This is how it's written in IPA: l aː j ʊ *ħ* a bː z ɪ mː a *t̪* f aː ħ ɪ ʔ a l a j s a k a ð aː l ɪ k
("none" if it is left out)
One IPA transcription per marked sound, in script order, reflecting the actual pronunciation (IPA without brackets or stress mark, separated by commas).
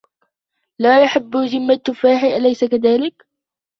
ħ, t̪